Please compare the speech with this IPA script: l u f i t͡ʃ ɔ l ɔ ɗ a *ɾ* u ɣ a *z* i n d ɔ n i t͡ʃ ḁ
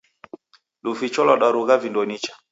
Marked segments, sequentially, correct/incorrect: correct, incorrect

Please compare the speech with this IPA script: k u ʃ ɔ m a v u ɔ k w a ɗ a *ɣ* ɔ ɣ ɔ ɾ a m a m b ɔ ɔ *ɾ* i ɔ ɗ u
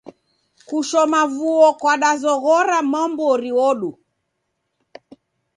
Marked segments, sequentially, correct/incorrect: incorrect, correct

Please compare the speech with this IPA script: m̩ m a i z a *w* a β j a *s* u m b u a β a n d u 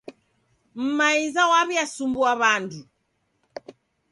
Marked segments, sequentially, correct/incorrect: correct, correct

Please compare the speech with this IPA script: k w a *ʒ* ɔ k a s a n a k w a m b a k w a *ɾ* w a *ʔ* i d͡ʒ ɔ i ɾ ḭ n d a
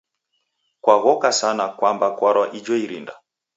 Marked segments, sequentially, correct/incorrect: incorrect, correct, correct

